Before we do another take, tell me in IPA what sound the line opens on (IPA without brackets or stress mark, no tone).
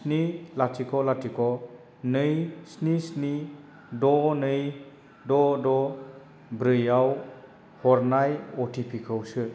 s